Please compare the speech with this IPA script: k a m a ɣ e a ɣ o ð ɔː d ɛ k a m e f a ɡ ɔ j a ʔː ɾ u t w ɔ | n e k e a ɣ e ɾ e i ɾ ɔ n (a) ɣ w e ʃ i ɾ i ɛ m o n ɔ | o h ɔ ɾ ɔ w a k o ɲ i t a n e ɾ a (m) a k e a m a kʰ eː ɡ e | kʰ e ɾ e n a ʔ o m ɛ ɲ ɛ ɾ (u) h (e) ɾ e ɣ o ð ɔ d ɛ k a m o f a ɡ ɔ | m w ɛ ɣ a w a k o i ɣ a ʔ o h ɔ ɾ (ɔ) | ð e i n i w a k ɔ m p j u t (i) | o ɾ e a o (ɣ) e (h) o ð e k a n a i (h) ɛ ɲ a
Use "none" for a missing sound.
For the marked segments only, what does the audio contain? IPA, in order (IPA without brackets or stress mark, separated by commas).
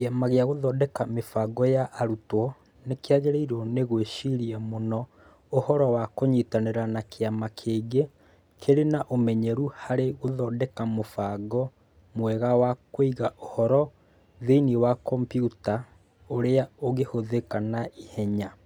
e, n, u, a, ɔ, a, ɣ, h, h